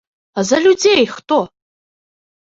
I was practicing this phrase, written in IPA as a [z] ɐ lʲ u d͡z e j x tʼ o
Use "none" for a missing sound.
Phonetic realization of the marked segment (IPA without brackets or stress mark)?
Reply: z